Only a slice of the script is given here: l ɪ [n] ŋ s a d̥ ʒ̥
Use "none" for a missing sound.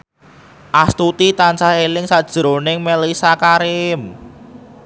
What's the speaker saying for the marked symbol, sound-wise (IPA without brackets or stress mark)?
none